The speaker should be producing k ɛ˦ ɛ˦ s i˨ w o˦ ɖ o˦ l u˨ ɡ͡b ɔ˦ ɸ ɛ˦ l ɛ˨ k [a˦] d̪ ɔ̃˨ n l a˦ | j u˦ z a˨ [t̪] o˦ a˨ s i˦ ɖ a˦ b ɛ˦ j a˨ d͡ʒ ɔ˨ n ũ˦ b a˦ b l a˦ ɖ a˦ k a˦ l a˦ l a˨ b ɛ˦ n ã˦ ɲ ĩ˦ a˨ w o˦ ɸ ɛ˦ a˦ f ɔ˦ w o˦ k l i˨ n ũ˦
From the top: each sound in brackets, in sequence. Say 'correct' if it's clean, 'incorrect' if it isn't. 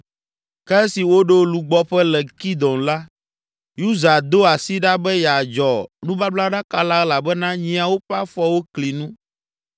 incorrect: i˦, incorrect: d̪

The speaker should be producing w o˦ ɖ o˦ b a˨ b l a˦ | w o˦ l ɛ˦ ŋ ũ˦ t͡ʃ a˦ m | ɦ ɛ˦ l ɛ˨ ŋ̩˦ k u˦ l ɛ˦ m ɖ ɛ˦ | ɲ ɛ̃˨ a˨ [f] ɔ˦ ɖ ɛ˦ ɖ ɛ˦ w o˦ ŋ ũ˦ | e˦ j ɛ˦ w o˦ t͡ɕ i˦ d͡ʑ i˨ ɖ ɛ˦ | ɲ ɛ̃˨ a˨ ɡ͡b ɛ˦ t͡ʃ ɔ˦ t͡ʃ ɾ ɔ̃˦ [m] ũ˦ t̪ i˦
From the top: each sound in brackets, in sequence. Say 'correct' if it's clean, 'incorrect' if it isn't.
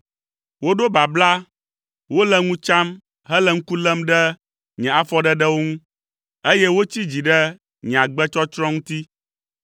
correct, incorrect: ŋ

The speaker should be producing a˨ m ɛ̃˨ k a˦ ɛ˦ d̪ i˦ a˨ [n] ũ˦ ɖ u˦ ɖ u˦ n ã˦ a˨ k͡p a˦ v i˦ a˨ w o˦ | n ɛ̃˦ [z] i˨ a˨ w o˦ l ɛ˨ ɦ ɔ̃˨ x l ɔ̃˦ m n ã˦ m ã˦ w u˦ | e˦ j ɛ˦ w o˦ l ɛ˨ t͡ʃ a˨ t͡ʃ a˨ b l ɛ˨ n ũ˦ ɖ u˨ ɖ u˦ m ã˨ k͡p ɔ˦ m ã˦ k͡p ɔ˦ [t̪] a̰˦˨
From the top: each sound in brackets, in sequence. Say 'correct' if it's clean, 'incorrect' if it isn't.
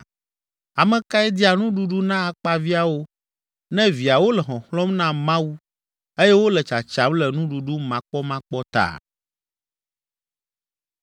correct, incorrect: v, correct

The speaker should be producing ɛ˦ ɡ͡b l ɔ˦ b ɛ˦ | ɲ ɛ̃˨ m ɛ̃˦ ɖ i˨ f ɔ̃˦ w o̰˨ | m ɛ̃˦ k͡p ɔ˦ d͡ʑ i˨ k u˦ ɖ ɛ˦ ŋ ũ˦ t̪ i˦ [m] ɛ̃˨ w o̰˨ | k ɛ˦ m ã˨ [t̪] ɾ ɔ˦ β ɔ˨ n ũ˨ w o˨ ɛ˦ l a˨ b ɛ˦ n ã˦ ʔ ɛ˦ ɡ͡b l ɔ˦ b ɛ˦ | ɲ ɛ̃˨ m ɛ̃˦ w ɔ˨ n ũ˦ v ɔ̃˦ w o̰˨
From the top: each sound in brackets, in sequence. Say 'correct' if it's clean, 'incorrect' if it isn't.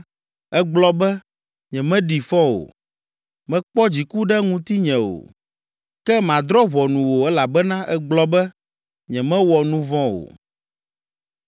incorrect: ɲ, incorrect: d̪

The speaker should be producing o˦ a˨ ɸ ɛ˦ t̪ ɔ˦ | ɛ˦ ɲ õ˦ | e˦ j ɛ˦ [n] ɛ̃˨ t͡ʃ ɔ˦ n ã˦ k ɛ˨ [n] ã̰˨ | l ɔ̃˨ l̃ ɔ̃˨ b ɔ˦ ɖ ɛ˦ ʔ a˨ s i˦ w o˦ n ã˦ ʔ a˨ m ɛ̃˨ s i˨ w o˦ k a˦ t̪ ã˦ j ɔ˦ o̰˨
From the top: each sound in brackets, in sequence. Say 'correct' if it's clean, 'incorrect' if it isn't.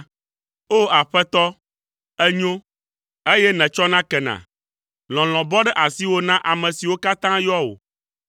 correct, correct

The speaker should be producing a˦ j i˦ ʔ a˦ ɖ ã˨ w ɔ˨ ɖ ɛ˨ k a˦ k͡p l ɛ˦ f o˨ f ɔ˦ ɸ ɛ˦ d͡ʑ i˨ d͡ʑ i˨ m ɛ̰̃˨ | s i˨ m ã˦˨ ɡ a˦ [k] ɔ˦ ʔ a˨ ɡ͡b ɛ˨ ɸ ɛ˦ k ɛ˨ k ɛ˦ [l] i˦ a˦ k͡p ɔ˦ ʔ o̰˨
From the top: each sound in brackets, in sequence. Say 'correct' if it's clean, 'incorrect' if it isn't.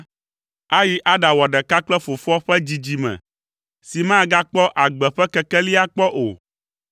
incorrect: k͡p, correct

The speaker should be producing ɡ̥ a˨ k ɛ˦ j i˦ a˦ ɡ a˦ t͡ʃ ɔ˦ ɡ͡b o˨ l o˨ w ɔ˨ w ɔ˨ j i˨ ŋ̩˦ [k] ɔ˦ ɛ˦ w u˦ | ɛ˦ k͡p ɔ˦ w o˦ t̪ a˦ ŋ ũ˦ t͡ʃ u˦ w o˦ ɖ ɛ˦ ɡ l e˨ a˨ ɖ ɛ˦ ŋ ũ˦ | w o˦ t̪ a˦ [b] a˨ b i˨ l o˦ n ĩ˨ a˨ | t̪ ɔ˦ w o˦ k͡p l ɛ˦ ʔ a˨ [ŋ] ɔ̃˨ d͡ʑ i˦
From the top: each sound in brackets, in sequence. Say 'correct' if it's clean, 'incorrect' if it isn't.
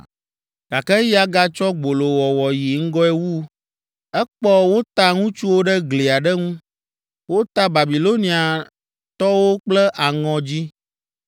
incorrect: ɡ, correct, correct

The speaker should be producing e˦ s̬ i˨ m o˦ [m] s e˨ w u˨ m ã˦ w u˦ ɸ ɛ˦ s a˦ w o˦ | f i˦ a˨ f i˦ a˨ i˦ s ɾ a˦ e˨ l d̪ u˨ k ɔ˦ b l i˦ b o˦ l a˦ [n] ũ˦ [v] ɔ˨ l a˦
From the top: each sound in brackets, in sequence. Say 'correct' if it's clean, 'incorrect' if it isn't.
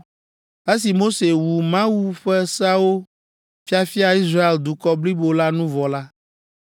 incorrect: none, correct, correct

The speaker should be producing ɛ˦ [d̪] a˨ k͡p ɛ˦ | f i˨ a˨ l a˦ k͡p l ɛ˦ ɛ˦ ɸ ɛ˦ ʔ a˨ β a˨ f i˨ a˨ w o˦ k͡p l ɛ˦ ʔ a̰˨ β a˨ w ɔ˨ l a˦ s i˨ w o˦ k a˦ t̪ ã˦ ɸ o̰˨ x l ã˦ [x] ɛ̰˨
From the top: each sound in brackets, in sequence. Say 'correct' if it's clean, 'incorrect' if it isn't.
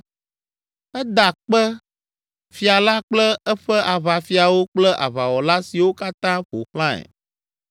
correct, incorrect: none

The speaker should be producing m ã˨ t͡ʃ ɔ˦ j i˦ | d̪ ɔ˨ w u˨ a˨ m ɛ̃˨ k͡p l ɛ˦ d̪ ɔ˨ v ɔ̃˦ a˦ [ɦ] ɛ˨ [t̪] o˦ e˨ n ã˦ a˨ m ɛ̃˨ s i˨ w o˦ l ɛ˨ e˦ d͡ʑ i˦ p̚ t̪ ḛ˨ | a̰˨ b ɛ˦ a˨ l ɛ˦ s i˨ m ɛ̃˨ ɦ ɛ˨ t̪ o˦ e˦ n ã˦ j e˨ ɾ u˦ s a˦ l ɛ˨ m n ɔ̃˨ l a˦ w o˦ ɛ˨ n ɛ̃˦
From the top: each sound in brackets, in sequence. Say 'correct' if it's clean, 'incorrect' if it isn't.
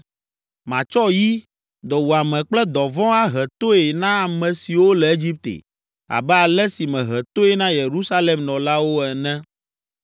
correct, correct

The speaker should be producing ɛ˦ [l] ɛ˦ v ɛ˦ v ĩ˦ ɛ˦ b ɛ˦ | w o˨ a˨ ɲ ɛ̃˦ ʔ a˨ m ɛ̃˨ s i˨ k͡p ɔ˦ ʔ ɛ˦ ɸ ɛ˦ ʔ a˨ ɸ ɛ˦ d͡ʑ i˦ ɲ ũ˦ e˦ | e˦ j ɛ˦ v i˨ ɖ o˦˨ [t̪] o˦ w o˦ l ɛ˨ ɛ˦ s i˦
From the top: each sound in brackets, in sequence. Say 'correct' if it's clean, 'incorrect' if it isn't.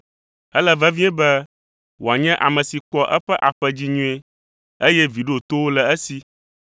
correct, correct

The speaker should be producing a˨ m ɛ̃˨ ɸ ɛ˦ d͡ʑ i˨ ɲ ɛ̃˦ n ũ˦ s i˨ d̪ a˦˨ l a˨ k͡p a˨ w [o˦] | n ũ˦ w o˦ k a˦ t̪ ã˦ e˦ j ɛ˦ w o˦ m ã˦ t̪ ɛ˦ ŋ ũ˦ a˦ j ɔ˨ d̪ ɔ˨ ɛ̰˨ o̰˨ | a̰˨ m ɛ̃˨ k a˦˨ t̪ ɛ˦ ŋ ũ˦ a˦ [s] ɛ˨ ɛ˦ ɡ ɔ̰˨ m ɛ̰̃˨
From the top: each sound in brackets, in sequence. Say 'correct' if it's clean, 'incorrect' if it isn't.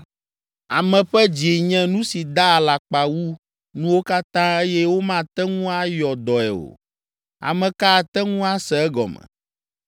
incorrect: u˦, correct

